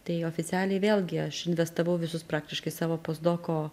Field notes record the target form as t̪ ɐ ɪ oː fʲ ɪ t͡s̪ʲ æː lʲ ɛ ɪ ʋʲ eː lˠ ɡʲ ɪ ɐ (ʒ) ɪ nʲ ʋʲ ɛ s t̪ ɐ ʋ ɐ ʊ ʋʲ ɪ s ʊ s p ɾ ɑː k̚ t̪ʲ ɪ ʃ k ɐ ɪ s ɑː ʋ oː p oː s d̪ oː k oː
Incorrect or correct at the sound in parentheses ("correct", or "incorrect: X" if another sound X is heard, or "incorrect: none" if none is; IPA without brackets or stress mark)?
incorrect: ʃ